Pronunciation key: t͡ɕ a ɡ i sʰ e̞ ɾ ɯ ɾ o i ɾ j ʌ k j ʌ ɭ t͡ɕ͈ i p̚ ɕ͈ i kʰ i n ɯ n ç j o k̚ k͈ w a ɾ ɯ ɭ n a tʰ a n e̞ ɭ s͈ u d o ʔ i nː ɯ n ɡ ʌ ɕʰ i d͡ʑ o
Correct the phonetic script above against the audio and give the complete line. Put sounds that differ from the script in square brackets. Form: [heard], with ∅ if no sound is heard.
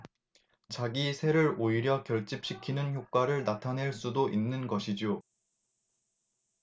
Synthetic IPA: t͡ɕ a ɡ i sʰ e̞ ɾ ɯ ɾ o i ɾ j ʌ k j ʌ ɭ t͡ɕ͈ i p̚ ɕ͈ i kʰ i n ɯ n ç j o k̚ k͈ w a ɾ ɯ ɭ n a tʰ a n e̞ ɭ s͈ u d o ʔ i nː ɯ n ɡ ʌ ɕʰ i d͡ʑ o